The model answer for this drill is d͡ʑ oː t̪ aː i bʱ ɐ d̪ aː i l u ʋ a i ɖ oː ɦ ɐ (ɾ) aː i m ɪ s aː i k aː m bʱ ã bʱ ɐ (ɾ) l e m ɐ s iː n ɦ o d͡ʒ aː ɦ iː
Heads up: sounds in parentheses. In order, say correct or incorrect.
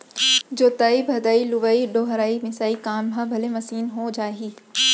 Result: correct, incorrect

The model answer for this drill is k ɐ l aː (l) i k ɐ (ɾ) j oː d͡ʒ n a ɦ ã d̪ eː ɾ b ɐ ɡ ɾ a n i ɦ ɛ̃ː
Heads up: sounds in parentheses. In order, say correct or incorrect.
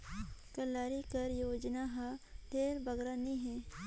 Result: incorrect, correct

